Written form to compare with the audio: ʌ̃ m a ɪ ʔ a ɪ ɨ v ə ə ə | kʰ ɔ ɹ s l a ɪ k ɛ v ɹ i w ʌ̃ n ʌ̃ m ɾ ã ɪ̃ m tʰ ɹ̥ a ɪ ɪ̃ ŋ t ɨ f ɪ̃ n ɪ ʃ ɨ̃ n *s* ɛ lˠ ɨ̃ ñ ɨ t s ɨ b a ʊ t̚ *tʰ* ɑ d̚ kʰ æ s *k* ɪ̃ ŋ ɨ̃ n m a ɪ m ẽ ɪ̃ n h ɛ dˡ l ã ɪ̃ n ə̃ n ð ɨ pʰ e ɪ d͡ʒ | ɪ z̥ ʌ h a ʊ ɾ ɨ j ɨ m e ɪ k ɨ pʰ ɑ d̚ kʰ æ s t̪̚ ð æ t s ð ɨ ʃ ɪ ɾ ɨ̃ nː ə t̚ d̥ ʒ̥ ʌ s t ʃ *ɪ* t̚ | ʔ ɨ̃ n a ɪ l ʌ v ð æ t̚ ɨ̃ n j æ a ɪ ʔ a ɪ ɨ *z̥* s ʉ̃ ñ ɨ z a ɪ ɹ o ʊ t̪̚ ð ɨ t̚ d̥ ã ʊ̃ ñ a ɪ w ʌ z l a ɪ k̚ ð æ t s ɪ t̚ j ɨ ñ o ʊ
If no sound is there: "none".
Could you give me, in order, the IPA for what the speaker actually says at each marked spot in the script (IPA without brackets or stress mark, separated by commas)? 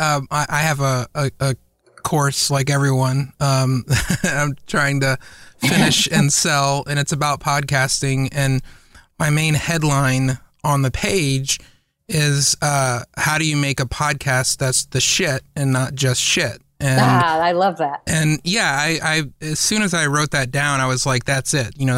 s, pʰ, t, ɪ, z̥